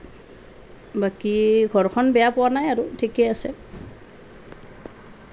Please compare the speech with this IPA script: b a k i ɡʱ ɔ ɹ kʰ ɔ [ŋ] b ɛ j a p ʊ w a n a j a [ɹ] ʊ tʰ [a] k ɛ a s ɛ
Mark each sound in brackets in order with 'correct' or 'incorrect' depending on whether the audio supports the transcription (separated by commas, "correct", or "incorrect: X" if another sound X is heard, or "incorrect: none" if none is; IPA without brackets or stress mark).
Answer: incorrect: n, correct, incorrect: i